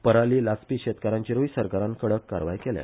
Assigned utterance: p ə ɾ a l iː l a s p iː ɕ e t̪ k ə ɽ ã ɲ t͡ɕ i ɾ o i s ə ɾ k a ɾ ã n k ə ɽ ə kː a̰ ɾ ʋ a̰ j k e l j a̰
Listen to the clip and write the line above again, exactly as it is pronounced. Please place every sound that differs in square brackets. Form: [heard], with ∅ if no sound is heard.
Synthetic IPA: p ə ɾ a l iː l a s p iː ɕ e t̪ k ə [ɾ] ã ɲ t͡ɕ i ɾ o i s ə ɾ k a ɾ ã n k ə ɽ ə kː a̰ ɾ ʋ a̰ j k e l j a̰